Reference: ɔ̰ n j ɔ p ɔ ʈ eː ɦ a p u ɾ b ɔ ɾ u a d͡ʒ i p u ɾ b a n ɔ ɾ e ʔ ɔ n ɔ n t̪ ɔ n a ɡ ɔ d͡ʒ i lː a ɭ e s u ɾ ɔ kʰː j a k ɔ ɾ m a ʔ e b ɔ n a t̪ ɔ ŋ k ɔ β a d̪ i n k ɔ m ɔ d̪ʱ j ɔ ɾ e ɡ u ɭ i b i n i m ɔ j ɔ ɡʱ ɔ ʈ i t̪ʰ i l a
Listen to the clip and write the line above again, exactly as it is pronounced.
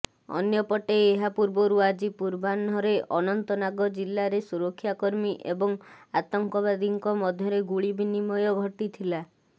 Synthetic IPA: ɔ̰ n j ɔ p ɔ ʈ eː ɦ a p u ɾ b ɔ ɾ u a d͡ʒ i p u ɾ b a n ɔ ɾ e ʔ ɔ n ɔ n t̪ ɔ n a ɡ ɔ d͡ʒ i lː a ɾ e s u ɾ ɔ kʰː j a k ɔ ɾ m i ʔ e b ɔ ŋ a t̪ ɔ ŋ k ɔ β a d̪ i ŋ k ɔ m ɔ d̪ʱ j ɔ ɾ e ɡ u ɭ i b i n i m ɔ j ɔ ɡʱ ɔ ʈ i t̪ʰ i l a